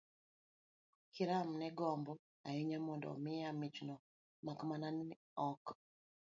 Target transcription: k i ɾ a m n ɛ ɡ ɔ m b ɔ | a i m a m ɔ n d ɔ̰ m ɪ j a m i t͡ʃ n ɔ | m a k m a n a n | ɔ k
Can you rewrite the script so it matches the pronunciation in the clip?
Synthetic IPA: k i ɾ a m n ɛ ɡ ɔ m b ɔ | a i ɲ a m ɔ n d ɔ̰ m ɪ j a m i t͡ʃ n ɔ | m a k m a n a n | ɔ k